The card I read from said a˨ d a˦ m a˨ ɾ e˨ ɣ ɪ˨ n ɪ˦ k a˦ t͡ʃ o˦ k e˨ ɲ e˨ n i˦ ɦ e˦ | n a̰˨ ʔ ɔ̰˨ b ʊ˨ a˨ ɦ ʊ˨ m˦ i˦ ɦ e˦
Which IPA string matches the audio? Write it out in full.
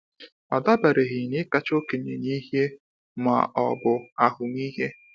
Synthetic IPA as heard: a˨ d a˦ b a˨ ɾ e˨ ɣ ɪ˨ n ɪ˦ k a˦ t͡ʃ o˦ k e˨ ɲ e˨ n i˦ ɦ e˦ | m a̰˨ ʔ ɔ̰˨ b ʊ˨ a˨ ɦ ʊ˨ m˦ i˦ ɦ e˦